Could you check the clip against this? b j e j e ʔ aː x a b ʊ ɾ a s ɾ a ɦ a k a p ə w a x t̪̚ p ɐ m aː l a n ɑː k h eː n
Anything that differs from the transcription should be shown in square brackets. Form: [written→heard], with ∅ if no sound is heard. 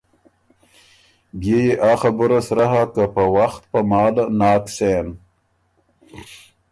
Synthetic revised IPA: b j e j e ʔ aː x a b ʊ ɾ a s ɾ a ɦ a k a p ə w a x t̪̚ p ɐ m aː l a n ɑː k [h→s] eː n